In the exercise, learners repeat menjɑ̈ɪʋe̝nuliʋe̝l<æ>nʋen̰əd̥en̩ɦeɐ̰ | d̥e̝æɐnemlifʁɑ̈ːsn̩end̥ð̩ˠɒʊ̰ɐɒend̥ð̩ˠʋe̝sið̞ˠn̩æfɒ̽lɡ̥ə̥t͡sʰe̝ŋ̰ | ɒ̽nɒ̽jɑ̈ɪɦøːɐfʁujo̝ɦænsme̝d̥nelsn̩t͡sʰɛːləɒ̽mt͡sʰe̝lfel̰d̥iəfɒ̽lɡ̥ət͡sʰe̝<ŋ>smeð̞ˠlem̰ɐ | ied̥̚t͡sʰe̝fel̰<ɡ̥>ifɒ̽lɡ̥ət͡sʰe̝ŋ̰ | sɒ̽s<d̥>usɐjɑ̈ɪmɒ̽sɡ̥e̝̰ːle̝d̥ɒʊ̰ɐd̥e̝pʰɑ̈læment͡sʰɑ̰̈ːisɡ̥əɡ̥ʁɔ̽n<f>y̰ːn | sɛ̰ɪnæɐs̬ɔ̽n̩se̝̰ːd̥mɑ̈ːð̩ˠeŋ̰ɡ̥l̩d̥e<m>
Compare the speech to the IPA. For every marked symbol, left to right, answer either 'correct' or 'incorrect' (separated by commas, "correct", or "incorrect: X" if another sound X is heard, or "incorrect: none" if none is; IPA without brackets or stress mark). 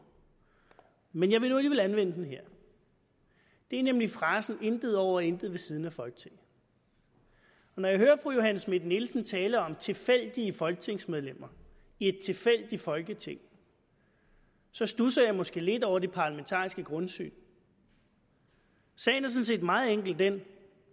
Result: correct, correct, incorrect: d̥, correct, incorrect: s, incorrect: n